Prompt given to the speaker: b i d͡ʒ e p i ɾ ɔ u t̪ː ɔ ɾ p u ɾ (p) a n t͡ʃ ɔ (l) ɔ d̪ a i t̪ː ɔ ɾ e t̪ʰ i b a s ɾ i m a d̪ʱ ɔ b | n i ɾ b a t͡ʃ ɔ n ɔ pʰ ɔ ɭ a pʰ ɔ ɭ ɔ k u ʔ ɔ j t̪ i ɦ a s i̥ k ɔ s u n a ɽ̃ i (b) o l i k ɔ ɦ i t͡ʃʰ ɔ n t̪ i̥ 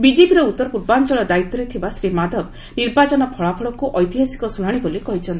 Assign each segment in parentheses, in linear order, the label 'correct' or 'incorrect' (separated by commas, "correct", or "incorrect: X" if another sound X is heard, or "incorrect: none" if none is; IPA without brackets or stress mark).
incorrect: b, incorrect: ɭ, correct